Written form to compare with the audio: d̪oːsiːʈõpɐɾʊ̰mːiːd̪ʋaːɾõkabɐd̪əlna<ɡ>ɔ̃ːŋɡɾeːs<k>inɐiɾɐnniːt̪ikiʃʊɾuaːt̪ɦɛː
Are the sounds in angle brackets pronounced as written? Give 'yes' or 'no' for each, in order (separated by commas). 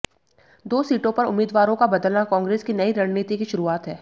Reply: no, yes